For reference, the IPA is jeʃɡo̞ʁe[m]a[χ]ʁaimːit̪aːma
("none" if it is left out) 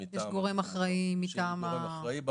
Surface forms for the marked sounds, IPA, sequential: m, χ

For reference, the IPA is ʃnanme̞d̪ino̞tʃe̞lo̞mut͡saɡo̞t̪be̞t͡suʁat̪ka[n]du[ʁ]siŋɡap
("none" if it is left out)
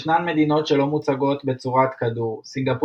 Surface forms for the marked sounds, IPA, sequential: none, ʁ

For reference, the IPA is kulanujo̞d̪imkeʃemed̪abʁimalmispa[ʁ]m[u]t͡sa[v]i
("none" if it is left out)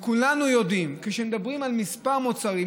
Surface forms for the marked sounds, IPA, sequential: ʁ, o, ʁ

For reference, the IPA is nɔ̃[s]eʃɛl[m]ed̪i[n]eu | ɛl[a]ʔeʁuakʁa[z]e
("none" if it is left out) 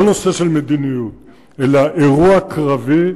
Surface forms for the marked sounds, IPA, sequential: s, m, n, a, v

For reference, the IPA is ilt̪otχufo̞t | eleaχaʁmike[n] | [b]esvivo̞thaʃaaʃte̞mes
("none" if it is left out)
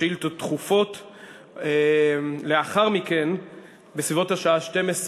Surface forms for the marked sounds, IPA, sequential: n, b

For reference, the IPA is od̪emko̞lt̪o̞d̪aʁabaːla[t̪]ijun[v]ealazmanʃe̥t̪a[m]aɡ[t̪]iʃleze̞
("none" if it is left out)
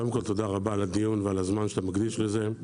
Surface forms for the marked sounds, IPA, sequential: d̪, v, m, d̪

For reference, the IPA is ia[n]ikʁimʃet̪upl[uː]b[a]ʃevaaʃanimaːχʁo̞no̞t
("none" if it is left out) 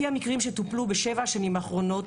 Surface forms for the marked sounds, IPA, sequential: m, u, e

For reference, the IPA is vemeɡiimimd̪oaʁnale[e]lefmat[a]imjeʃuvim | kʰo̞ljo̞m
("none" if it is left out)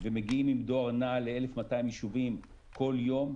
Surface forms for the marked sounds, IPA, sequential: e, a

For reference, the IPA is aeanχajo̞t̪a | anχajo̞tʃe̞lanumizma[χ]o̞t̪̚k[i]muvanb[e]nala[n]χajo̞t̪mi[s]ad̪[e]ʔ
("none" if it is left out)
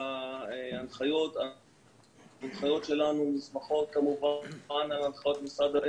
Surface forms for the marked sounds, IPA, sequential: χ, a, a, n, s, a

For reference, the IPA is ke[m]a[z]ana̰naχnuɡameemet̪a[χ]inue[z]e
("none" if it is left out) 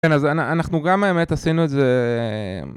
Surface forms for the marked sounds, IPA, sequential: n, z, s, z

